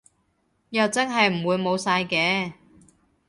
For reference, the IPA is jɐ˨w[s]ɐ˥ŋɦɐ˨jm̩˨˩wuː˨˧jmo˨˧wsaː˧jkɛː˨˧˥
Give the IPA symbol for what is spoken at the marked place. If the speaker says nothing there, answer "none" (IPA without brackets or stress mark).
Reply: t͡s